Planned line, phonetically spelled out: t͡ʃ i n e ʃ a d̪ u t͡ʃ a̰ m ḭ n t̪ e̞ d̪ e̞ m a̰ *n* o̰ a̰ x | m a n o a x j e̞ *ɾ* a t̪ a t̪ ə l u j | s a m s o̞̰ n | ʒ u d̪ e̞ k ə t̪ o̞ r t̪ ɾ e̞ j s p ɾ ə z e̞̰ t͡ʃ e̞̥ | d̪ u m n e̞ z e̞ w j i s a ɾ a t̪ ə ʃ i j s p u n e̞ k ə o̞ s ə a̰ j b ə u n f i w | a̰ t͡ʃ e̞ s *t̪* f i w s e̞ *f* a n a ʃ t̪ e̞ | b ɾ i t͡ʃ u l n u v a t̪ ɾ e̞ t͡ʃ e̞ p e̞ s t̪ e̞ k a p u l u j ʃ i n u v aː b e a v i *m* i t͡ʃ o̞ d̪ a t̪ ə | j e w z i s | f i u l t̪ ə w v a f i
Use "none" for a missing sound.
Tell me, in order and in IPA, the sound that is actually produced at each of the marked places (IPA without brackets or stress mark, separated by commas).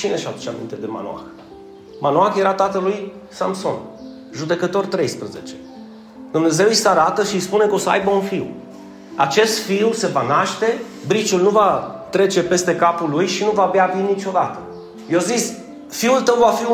n, ɾ, t̪, v, n